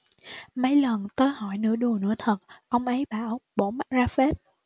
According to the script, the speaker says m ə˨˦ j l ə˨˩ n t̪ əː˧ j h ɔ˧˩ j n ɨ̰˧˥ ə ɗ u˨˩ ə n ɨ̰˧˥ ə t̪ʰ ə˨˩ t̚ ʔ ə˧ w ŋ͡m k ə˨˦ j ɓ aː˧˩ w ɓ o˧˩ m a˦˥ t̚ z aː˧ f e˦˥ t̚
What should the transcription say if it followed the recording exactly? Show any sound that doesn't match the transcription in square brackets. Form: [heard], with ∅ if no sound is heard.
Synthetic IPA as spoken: m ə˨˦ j l ə˨˩ n t̪ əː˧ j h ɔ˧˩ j n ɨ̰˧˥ ə ɗ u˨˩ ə n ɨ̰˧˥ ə t̪ʰ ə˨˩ t̚ ʔ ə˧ w ŋ͡m [ʔ] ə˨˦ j ɓ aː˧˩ w ɓ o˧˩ m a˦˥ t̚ z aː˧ f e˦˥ t̚